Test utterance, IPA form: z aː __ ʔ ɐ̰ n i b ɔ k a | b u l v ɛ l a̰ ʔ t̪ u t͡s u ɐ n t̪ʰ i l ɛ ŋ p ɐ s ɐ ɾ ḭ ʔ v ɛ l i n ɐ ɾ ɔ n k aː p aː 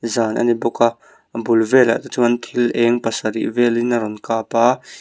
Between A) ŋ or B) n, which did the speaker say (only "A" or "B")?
B